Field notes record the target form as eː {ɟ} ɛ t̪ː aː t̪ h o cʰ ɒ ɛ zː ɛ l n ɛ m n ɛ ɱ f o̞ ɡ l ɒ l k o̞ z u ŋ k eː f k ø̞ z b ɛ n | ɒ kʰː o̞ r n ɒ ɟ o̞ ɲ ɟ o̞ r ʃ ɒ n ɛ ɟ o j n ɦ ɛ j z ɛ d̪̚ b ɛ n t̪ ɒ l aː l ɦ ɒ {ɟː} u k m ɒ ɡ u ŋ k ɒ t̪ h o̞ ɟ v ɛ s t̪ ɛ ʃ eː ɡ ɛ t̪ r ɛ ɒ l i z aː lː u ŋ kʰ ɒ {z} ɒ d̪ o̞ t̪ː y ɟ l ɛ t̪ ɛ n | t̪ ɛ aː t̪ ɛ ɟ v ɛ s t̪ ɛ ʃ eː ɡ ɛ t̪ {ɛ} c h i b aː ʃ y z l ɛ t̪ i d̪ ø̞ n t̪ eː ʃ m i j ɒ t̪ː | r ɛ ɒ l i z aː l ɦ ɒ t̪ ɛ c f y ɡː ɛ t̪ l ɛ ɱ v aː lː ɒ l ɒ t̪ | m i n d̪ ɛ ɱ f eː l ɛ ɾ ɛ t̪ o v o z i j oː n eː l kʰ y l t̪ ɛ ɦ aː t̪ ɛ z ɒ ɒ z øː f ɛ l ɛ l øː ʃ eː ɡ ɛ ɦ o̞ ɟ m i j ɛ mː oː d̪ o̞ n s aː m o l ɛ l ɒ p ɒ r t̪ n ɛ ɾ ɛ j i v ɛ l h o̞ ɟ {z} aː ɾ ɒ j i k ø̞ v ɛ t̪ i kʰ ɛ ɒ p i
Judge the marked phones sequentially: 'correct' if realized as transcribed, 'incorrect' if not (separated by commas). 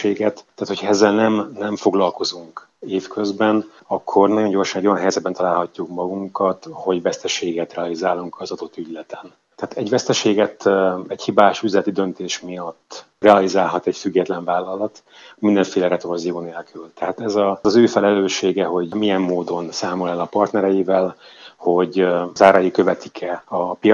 incorrect, incorrect, correct, correct, correct